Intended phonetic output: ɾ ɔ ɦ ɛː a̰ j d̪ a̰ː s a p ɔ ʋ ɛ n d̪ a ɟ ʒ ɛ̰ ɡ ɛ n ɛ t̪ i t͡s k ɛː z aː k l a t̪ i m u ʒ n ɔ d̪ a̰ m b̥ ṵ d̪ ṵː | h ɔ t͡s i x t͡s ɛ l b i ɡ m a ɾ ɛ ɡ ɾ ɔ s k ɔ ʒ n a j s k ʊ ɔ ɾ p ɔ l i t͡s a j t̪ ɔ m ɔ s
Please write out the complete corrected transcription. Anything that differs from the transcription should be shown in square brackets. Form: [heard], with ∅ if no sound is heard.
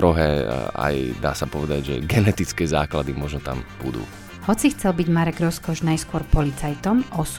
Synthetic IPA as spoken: ɾ ɔ ɦ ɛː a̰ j d̪ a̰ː s a p ɔ ʋ ɛ [∅] d̪ a ɟ ʒ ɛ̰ ɡ ɛ n ɛ t̪ i t͡s k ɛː z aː k l a [d̪] i m [ɔ] ʒ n ɔ [t̪] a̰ m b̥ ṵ d̪ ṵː | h ɔ t͡s i x t͡s ɛ l b i [ɟ] m a ɾ ɛ ɡ ɾ ɔ s k ɔ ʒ n a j s k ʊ ɔ ɾ p ɔ l i t͡s a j t̪ ɔ m ɔ s